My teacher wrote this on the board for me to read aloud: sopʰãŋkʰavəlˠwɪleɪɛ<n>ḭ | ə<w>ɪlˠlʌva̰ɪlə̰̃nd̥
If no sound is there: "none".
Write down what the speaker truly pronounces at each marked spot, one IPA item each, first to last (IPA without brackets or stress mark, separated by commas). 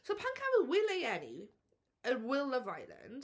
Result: n, w